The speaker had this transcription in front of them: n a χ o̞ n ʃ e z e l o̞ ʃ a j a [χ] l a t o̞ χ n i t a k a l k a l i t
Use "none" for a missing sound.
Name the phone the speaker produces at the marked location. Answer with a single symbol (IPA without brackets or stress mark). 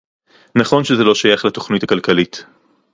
χ